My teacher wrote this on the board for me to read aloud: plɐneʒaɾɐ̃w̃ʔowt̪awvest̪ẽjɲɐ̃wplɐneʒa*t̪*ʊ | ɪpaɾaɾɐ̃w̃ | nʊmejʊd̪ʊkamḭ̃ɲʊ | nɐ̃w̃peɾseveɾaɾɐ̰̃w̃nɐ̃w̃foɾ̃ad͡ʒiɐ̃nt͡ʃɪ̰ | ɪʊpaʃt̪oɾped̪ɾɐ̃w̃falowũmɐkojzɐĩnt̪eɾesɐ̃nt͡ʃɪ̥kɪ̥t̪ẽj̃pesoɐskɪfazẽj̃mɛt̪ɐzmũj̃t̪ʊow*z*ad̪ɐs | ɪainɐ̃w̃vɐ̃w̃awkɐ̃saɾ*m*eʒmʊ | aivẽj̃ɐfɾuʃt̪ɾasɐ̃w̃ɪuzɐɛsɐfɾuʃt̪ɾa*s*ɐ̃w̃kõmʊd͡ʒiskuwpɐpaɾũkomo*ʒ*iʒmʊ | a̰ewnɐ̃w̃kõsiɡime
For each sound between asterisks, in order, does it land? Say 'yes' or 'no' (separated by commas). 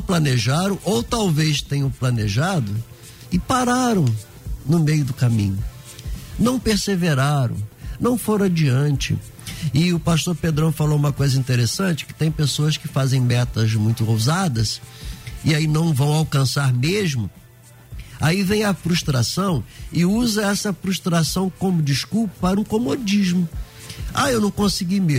no, yes, yes, yes, no